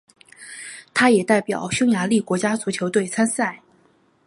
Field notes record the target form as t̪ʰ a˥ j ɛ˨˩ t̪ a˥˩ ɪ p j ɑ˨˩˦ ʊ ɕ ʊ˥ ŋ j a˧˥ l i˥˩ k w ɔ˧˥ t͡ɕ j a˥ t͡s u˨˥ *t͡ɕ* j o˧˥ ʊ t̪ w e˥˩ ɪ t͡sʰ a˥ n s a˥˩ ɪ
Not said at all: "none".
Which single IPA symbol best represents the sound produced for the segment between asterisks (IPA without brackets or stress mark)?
t͡ɕʰ